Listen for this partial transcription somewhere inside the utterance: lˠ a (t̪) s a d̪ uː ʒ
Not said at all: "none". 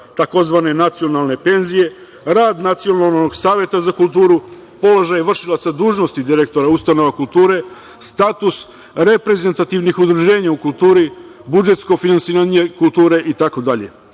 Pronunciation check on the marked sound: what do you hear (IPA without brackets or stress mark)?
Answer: t̪